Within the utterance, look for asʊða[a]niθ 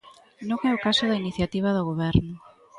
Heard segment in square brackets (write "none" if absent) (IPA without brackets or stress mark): i